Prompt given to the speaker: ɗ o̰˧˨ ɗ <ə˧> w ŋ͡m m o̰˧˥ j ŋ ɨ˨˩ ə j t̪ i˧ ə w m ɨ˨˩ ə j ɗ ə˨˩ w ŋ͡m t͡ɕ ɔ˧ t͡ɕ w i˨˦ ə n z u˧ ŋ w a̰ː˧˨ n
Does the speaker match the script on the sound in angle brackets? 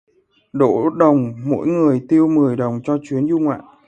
no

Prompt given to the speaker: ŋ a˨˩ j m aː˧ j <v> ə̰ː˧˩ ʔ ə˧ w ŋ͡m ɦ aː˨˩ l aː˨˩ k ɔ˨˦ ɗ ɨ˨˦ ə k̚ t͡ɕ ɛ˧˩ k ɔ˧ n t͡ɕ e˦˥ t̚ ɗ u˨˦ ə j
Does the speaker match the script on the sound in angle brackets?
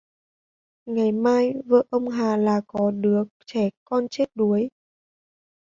yes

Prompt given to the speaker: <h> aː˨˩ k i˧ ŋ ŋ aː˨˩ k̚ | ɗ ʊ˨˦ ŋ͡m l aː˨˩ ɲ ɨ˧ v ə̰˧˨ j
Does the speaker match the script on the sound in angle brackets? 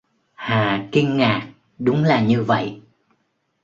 yes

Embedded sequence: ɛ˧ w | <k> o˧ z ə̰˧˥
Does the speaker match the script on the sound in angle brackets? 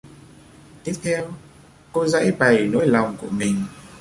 yes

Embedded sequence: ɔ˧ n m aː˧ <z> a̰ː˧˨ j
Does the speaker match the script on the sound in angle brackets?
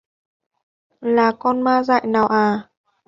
yes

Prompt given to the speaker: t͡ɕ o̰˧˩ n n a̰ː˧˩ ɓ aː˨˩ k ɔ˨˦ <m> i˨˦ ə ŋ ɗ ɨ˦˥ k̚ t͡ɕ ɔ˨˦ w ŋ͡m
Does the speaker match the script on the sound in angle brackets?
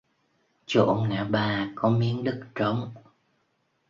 yes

